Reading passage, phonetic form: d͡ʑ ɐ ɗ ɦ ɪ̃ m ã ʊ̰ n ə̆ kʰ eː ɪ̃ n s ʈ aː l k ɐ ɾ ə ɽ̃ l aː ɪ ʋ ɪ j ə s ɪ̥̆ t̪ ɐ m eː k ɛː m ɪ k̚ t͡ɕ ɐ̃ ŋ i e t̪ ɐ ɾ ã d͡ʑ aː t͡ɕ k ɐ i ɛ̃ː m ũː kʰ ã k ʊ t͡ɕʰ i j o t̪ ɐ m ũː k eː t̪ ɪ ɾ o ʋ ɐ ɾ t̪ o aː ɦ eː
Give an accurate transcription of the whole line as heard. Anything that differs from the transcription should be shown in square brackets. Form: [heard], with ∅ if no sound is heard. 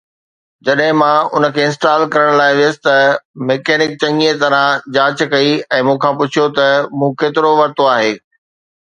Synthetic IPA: d͡ʑ ɐ ɗ ɦ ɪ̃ m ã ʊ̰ n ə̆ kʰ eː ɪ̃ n s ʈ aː l k ɐ ɾ ə ɽ̃ l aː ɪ ʋ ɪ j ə s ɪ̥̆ t̪ ɐ m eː k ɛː [n] ɪ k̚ t͡ɕ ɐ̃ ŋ i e t̪ ɐ ɾ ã d͡ʑ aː t͡ɕ k ɐ i ɛ̃ː m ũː kʰ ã [p] ʊ t͡ɕʰ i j o t̪ ɐ m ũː k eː t̪ ɪ ɾ o ʋ ɐ ɾ t̪ o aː ɦ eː